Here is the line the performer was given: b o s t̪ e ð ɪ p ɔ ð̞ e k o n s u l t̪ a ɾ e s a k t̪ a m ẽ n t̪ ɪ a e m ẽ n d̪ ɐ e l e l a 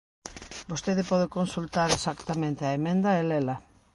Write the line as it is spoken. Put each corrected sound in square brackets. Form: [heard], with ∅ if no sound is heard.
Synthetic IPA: b o s t̪ e ð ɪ p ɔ ð̞ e k o n s u l t̪ a ɾ e s a k t̪ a m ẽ n t̪ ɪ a e m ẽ n d̪ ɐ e l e l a